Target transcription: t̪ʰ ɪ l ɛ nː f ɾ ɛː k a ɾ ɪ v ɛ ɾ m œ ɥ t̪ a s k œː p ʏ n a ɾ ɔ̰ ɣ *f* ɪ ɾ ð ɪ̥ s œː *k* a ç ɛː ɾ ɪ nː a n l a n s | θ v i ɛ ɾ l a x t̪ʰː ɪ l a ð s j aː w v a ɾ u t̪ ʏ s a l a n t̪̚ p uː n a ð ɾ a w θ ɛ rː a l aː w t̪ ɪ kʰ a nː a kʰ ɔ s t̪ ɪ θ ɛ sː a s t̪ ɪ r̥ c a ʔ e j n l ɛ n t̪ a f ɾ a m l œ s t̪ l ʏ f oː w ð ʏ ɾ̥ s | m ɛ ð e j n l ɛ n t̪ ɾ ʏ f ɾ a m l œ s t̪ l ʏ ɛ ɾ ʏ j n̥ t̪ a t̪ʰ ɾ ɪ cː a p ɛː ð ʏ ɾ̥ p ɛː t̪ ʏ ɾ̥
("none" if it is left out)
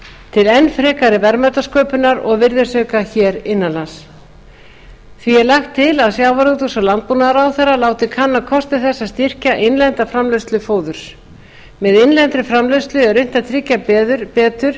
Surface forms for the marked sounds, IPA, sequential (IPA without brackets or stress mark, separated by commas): v, k